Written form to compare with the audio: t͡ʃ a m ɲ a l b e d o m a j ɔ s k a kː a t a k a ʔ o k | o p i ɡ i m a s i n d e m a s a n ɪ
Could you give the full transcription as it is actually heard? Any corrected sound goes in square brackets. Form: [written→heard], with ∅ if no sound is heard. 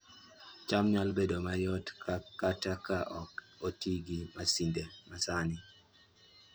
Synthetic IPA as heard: t͡ʃ a m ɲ a l b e d o m a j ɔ [s→t] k a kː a t a k a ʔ [o→ɔ] k | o [p→t] i ɡ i m a s i n d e m a s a n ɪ